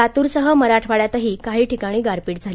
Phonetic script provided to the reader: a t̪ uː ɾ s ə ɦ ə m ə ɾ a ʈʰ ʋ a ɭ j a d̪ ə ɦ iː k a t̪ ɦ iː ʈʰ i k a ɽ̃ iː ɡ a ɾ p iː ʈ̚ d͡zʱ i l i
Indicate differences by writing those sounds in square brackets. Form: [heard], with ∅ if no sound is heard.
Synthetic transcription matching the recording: a t̪ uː ɾ s ə ɦ ə m ə ɾ a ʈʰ ʋ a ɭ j a [t̪] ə ɦ iː k a [∅] ɦ iː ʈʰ i k a ɽ̃ iː ɡ a ɾ p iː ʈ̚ d͡zʱ [a] l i